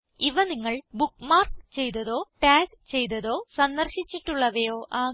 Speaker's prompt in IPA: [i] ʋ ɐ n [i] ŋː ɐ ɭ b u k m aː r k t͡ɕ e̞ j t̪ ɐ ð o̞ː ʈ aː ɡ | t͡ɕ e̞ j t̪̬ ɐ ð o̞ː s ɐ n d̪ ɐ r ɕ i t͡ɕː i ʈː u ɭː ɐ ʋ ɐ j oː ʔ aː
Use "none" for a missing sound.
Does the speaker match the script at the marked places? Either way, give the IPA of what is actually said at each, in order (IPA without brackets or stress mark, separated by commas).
i, i